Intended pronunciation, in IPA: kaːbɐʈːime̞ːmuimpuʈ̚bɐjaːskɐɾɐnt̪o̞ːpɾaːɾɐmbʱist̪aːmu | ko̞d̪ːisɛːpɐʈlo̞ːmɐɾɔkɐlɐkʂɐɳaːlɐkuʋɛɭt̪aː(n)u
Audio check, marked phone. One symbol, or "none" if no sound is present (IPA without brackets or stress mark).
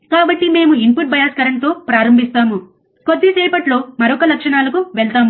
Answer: m